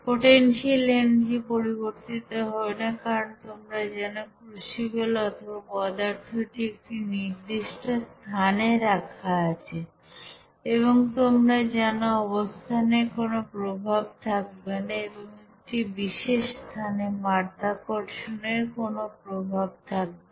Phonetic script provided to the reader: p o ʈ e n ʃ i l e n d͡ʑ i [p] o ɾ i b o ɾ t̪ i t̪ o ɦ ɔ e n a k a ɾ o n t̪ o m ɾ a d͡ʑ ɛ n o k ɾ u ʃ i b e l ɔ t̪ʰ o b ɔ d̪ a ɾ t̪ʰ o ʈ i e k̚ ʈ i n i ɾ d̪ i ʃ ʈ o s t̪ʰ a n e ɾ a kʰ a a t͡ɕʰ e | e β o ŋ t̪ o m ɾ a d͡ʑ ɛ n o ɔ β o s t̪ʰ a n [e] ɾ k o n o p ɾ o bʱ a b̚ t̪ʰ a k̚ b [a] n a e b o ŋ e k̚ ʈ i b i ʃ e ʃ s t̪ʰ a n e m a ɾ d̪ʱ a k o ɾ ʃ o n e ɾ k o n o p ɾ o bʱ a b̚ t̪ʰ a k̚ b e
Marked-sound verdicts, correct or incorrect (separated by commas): correct, correct, incorrect